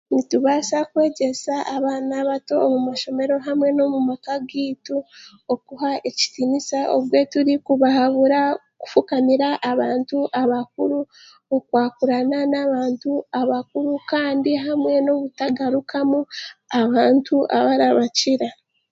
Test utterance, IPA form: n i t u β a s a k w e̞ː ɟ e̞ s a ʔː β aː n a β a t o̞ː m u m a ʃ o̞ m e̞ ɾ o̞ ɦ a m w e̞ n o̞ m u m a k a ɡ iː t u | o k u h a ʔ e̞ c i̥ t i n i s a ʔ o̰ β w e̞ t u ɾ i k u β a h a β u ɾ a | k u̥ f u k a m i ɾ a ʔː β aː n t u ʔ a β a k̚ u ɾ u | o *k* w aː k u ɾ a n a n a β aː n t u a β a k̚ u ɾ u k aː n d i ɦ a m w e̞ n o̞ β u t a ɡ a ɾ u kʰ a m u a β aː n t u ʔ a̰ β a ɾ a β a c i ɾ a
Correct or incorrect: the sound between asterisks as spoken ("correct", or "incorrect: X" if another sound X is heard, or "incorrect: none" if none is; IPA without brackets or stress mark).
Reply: correct